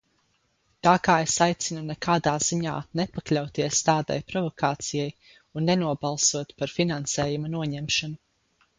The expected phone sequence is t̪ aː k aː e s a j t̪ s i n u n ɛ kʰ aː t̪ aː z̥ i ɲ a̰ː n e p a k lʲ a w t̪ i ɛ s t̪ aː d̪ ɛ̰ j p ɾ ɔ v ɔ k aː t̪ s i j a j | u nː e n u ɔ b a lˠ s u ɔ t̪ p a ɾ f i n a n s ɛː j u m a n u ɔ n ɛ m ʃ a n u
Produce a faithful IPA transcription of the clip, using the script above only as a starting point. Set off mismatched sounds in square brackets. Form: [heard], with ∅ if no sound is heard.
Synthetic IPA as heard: t̪ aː k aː e s a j t̪ s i n u n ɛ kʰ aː [d̪] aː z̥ i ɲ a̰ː n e p a k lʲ a w t̪ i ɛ s t̪ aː d̪ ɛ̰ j p ɾ ɔ v ɔ k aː t̪ s i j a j | u nː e n u ɔ b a lˠ s u ɔ t̪ p a ɾ f i n a n s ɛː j u m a n u ɔ [ɲ] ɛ m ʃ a n u